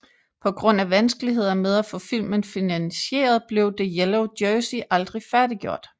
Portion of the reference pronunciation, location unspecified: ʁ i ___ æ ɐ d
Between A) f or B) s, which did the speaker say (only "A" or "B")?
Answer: A